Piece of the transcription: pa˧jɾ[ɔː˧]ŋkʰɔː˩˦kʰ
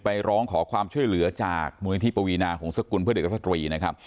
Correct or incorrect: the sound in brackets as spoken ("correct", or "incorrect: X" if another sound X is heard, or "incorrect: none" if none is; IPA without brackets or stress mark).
incorrect: ɔː˦˥